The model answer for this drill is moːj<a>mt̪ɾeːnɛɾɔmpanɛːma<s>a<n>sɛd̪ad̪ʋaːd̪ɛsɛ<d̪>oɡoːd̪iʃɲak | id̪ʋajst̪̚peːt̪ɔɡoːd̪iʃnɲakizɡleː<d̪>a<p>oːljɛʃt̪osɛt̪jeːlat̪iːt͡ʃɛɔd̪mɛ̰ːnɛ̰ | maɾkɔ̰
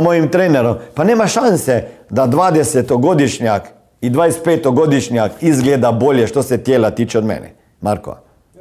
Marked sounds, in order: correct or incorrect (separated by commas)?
incorrect, incorrect, correct, incorrect, correct, incorrect